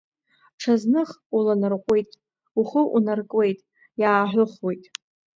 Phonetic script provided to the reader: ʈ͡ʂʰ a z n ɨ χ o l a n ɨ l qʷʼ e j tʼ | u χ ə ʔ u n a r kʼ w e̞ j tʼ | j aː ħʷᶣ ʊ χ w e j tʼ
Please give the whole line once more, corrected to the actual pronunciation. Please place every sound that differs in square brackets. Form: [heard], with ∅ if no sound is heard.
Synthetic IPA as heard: ʈ͡ʂʰ a z n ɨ χ [u] l a n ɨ [r] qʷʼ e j tʼ | u χ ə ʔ u n a r kʼ w e̞ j tʼ | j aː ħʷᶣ ʊ χ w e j tʼ